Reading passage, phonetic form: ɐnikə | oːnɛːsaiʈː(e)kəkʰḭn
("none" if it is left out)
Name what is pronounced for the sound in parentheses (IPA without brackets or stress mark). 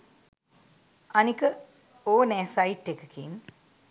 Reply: e